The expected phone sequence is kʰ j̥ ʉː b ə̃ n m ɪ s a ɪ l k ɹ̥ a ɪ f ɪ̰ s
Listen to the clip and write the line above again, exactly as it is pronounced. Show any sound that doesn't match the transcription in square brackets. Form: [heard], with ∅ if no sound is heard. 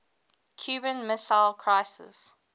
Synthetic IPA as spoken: kʰ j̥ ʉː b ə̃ n m ɪ s a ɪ l [kʰ] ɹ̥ a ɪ [s] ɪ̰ s

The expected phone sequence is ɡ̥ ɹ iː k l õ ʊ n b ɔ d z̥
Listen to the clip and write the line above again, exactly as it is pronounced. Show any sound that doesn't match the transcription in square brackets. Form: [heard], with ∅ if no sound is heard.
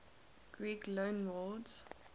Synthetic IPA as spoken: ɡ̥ ɹ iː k l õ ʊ n [w] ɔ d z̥

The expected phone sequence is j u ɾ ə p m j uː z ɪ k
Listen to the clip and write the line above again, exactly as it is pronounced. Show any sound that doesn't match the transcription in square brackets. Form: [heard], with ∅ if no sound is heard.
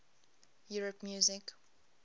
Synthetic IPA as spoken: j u [ɹ] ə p m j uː z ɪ k

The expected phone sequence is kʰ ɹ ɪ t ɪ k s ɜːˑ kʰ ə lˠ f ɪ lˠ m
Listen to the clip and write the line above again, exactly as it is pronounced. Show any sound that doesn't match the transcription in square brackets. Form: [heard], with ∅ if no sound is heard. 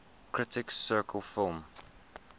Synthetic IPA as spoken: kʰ ɹ ɪ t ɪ k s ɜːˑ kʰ ə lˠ f ɪ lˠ m

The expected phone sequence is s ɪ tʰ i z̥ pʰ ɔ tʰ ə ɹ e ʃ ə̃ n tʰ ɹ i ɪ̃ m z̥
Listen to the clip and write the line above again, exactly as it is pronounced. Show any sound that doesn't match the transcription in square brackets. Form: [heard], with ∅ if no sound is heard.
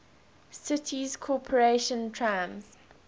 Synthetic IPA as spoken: s ɪ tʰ i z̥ [kʰ] ɔ [pʰ] ə ɹ e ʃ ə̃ n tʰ ɹ [a] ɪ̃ m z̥

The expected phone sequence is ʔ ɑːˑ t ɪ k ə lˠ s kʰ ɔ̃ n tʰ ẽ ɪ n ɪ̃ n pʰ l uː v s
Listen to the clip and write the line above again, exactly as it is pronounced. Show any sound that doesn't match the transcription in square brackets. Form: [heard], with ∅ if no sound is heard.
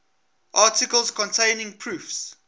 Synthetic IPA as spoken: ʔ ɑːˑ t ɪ k ə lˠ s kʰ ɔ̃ n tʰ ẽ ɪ n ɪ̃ [ŋ] pʰ [ɹ] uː [f] s

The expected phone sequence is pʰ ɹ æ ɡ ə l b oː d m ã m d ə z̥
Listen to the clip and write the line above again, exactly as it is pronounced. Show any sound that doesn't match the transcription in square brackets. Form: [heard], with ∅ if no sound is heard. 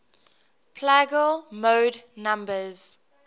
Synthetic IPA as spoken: pʰ [l] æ ɡ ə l [m] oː d [n] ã m [b] ə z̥

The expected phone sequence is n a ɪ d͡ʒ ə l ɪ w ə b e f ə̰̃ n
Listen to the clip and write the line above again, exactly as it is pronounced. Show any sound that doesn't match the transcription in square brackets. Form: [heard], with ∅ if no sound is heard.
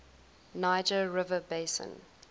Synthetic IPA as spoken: n a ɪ d͡ʒ ə [ɹ] ɪ [v] ə b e [s] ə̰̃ n

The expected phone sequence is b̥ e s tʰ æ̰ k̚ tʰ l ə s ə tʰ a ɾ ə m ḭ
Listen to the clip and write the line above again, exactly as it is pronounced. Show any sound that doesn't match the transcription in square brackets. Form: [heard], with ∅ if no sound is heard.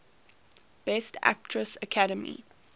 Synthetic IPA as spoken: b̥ [ɛ] s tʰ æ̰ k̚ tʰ [ɹ] ə s ə [kʰ] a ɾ ə m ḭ

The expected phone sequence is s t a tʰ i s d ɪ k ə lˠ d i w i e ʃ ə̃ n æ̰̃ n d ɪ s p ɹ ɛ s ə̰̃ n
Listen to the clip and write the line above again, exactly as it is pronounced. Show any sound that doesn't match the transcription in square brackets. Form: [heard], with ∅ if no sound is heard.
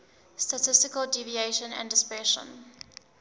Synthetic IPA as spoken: s t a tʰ [ɪ] s [t] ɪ k ə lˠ d i [v] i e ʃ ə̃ n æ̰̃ n d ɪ s p ɹ ɛ [ʃ] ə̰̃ n

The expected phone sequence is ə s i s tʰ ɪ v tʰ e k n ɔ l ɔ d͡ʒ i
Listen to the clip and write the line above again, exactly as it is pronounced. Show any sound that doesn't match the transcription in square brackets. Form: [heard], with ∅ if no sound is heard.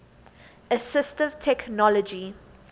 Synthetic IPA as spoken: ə s [ɪ] s [t] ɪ v tʰ [ɛ] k n ɔ l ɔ d͡ʒ i

